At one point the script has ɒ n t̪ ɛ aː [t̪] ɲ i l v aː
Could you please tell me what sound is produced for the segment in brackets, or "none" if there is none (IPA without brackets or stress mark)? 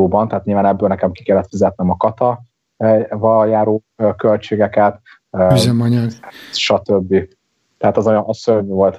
t̪